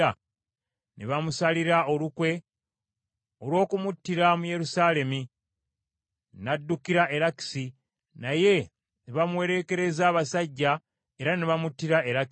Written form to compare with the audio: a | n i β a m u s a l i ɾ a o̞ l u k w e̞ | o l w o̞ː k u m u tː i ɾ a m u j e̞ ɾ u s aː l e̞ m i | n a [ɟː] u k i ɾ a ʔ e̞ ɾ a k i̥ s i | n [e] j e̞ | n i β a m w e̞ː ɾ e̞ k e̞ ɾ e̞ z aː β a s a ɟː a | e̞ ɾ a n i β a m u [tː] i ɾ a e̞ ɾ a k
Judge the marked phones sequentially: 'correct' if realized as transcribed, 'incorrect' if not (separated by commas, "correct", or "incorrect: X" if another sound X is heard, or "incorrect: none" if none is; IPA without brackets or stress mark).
incorrect: dː, incorrect: a, correct